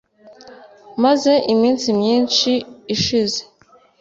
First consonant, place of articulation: labial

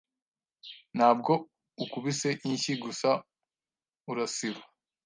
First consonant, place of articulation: alveolar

